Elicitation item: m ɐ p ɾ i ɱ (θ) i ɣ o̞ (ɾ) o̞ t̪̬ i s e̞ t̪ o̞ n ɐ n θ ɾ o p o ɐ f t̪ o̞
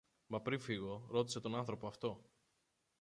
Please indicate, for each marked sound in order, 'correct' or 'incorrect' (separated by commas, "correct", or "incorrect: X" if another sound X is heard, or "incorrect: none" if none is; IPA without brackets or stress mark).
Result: incorrect: f, correct